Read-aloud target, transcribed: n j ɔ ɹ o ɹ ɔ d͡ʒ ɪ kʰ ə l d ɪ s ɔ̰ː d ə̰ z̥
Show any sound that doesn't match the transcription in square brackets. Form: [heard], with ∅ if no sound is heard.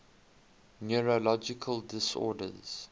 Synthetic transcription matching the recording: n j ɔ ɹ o [l] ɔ d͡ʒ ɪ kʰ ə l d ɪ s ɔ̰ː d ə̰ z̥